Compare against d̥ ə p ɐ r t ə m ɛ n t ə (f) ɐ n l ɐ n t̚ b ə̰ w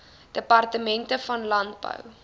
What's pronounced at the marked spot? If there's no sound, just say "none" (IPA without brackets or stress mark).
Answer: f